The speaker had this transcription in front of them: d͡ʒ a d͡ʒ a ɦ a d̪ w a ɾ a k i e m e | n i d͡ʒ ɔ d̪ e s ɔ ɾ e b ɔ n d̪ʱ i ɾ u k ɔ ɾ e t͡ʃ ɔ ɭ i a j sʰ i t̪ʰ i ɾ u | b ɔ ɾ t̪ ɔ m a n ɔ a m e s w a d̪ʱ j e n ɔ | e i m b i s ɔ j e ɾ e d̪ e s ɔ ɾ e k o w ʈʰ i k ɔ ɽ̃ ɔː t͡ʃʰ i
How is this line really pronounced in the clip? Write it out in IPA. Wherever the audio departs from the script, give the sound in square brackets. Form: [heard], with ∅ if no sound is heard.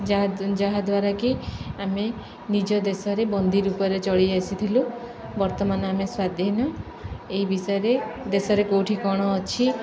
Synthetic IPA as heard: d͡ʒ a d͡ʒ a ɦ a d̪ w a ɾ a k i [a] m e | n i d͡ʒ ɔ d̪ e s ɔ ɾ e b ɔ n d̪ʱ i ɾ u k ɔ ɾ e t͡ʃ ɔ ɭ i a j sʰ i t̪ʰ i [l] u | b ɔ ɾ t̪ ɔ m a n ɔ a m e s w a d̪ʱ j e n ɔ | e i [∅] b i s ɔ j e ɾ e d̪ e s ɔ ɾ e k o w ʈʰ i k ɔ ɽ̃ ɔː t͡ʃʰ i